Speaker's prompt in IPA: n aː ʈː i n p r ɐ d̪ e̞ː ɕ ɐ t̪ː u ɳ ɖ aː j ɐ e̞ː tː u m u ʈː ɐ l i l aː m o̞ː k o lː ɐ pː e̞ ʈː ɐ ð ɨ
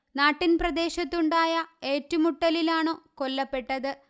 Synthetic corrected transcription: n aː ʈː i n p r ɐ d̪ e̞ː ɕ ɐ t̪ː u ɳ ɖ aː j ɐ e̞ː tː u m u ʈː ɐ l i l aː ɳ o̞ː k o lː ɐ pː e̞ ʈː ɐ ð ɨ